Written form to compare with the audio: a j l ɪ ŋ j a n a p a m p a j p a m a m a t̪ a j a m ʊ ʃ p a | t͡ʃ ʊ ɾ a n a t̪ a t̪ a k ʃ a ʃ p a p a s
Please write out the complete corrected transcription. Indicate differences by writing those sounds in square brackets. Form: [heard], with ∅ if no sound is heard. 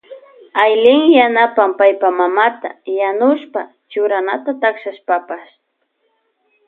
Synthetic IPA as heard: a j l ɪ ŋ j a n a p a m p a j p a m a m a t̪ a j a [n] ʊ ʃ p a | t͡ʃ ʊ ɾ a n a t̪ a t̪ a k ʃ a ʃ p a p a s